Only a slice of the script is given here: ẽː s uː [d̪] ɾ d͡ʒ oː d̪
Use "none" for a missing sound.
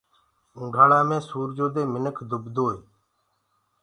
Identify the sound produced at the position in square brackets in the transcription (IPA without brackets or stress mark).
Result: none